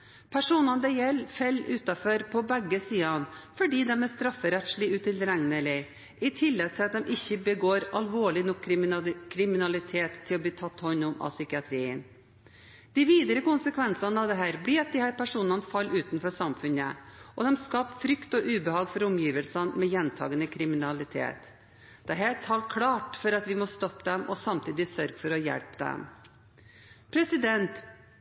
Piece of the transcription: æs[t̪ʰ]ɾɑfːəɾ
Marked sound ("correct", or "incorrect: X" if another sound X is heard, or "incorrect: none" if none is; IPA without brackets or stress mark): incorrect: t̪